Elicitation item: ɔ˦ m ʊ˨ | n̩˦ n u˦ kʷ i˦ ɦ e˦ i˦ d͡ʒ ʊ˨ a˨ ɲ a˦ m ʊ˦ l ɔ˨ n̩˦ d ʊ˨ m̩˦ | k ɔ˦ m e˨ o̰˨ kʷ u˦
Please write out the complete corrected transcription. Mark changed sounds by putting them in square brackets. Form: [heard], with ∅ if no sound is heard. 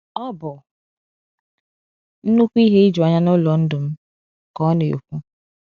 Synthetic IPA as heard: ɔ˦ [b] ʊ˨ | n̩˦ n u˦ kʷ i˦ ɦ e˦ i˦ d͡ʒ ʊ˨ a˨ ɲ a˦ [n] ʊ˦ l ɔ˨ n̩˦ d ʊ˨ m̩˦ | k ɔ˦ [n] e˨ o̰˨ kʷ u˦

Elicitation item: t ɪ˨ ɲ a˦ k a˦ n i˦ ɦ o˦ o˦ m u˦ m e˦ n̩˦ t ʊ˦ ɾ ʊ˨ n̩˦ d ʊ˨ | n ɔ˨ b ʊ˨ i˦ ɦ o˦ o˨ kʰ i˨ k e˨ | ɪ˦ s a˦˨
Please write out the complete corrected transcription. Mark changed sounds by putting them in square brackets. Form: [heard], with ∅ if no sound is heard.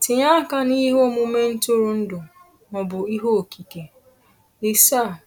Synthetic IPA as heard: t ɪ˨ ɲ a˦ k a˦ n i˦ ɦ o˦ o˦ m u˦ m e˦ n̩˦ t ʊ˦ ɾ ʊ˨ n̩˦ d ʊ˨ | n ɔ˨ b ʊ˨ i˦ ɦ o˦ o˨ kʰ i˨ k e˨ | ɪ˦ s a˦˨

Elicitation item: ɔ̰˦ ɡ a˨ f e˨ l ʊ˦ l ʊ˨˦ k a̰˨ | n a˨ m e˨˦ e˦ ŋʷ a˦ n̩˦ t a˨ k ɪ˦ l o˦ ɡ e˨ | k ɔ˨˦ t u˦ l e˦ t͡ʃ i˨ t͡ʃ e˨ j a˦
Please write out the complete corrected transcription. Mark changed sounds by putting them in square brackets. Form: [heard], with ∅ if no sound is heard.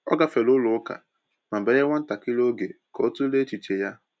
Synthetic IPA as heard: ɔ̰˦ ɡ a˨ f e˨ l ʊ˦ l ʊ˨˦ k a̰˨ | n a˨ [b] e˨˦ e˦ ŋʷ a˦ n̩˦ t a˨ k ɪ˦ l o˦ ɡ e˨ | k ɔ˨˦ t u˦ l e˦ t͡ʃ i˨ t͡ʃ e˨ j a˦

